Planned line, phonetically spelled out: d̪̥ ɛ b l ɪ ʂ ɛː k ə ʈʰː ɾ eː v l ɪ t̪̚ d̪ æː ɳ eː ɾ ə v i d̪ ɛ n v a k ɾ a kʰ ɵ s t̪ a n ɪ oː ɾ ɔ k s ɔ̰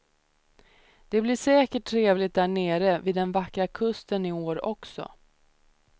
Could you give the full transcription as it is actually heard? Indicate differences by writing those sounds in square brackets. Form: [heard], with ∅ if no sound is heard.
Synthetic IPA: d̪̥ ɛ b l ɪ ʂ ɛː k ə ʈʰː ɾ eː v l ɪ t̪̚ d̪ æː ɳ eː ɾ ə v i d̪ ɛ n v a k ɾ a kʰ ɵ s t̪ [ə] n ɪ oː ɾ ɔ k s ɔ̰